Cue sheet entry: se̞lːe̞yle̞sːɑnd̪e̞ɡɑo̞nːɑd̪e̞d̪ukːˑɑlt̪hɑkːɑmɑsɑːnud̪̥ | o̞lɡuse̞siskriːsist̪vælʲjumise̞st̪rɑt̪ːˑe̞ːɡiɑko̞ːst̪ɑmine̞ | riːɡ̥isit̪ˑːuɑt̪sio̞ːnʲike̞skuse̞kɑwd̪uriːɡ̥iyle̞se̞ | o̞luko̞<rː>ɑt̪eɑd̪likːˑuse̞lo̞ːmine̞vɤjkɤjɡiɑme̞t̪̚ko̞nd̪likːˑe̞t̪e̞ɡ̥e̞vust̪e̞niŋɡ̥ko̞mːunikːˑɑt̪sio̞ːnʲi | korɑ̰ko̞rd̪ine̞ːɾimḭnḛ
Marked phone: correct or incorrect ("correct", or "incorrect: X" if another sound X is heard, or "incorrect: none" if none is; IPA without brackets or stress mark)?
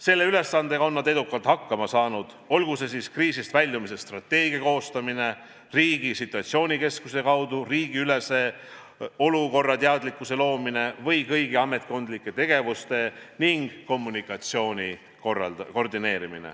correct